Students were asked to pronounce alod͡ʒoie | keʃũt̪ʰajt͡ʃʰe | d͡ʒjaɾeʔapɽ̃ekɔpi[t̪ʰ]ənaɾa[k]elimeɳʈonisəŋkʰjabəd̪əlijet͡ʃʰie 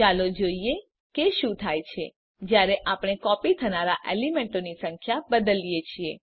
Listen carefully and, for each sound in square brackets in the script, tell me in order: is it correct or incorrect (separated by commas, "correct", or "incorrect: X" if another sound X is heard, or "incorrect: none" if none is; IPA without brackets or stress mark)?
correct, incorrect: ʔ